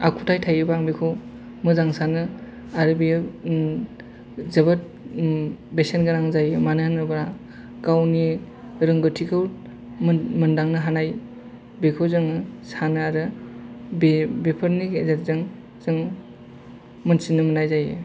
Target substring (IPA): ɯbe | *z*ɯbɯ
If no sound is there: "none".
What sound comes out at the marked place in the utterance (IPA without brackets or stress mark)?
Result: z